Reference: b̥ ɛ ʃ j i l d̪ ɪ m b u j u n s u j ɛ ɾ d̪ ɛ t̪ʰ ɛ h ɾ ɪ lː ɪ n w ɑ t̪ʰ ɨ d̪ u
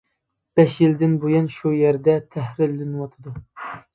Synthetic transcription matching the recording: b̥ ɛ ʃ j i l d̪ ɪ n b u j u n ʃ u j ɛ ɾ d̪ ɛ t̪ʰ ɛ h ɾ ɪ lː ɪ n w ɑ t̪ʰ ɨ d̪ u